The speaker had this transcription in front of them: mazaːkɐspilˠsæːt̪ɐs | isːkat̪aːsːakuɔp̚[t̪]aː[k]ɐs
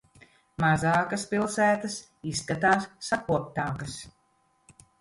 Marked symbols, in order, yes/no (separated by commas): yes, yes